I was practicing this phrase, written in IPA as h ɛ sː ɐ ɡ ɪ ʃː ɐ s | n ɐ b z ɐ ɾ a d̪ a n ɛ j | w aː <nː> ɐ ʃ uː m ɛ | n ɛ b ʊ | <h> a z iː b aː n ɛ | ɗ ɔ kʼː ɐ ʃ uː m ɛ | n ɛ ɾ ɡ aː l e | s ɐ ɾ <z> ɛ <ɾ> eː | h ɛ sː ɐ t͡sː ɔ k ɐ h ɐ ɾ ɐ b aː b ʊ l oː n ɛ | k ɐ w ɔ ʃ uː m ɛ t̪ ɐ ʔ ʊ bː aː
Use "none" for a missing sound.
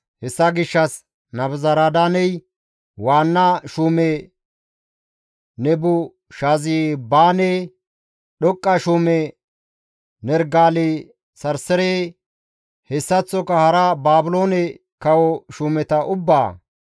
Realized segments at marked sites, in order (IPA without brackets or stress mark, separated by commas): nː, ʃ, s, ɾ